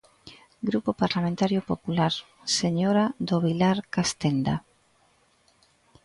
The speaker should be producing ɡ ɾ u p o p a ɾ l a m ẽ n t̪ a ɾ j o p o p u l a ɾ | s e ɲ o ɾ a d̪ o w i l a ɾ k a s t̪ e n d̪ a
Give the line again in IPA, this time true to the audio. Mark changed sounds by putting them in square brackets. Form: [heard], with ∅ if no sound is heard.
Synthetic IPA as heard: ɡ ɾ u p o p a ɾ l a m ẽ n t̪ a ɾ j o p o p u l a ɾ | s e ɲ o ɾ a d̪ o [β] i l a ɾ k a s t̪ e n d̪ a